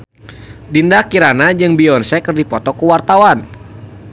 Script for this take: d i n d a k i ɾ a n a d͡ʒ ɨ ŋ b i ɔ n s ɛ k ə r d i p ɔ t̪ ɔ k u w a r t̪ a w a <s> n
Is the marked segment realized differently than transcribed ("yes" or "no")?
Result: yes